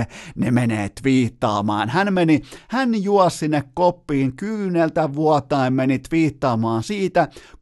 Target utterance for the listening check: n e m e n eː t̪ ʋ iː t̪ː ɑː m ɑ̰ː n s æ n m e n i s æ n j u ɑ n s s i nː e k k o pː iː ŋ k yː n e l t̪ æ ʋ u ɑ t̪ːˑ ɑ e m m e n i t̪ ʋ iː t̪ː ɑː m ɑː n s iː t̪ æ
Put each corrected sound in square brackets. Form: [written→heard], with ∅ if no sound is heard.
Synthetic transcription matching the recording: n e m e n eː t̪ ʋ iː t̪ː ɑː m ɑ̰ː n [s→h] æ n m e n i [s→h] æ n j u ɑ [n→∅] s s i nː e k k o pː iː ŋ k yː n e l t̪ æ ʋ u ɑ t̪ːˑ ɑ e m m e n i t̪ ʋ iː t̪ː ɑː m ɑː n s iː t̪ æ